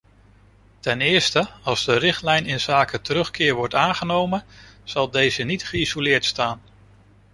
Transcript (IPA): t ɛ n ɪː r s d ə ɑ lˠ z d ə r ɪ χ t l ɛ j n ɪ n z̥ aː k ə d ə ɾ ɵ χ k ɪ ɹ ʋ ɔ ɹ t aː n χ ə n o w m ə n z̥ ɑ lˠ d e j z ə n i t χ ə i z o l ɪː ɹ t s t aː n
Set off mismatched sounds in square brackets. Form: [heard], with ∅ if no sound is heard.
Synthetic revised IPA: t ɛ n ɪː [ɹ] s [t] ə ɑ lˠ z d ə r ɪ χ t l ɛ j n ɪ n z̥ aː k ə [t] ə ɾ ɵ χ k [ɪː] ɹ ʋ ɔ ɹ t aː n χ ə n o w m ə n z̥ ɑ lˠ d e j z ə n i t χ ə i z o l ɪː ɹ t s t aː n